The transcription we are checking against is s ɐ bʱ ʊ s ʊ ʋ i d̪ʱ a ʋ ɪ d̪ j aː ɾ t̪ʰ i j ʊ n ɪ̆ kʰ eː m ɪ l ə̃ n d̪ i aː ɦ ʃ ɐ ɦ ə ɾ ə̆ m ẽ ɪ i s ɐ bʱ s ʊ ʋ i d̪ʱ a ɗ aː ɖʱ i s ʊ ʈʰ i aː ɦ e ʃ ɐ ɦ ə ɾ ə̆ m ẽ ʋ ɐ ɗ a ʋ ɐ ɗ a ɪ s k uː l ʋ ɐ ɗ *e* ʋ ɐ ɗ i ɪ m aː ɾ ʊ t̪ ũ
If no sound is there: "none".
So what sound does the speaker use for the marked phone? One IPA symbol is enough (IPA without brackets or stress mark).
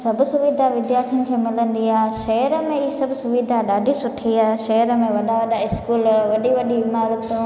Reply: i